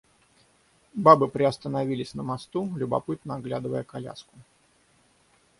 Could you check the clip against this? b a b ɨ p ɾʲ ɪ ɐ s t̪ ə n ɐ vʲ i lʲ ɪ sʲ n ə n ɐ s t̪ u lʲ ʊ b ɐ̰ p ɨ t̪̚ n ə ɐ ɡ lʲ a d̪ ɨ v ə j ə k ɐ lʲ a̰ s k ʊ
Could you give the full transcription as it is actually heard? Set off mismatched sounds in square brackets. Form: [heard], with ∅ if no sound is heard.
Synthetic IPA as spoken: b a b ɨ p ɾʲ ɪ ɐ s t̪ ə n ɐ vʲ i lʲ ɪ sʲ n ə [m] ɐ s t̪ u lʲ ʊ b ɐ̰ p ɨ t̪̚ n ə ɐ ɡ lʲ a d̪ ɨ v ə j ə k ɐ lʲ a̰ s k ʊ